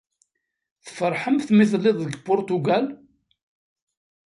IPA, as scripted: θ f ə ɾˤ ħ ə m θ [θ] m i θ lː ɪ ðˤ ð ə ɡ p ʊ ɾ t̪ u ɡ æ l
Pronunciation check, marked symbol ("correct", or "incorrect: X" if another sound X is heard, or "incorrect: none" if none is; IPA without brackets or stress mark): correct